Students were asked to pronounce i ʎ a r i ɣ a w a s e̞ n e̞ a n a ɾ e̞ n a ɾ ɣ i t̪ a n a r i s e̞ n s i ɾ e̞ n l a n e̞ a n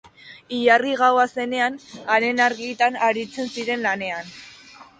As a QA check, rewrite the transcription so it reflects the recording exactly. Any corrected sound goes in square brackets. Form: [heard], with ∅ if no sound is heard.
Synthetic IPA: i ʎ a r i ɣ a w a s e̞ n e̞ a n a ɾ e̞ n a ɾ ɣ i t̪ a n a [ɾ] i [t͡s] e̞ n s i ɾ e̞ n l a n e̞ a n